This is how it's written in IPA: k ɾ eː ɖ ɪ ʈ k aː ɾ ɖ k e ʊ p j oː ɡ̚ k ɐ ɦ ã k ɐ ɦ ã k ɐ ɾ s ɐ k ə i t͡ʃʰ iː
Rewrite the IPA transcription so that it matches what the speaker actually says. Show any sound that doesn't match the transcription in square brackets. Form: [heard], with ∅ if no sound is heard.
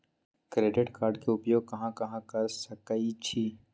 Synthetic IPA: k ɾ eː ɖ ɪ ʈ k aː ɾ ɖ k e ʊ p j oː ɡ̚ k ɐ ɦ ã k ɐ ɦ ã k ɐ ɾ s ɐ k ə i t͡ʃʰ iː